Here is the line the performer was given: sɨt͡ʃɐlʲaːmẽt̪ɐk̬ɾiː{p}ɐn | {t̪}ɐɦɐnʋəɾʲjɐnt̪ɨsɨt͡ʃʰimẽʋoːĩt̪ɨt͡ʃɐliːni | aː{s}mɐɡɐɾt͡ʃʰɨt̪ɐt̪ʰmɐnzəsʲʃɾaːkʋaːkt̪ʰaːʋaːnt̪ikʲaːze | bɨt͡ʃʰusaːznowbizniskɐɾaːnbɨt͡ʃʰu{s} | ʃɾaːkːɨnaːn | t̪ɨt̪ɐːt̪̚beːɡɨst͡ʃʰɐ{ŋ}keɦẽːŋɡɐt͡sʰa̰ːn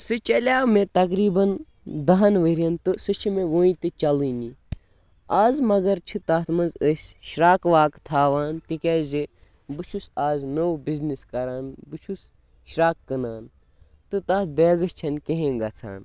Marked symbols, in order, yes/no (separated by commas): no, no, no, yes, no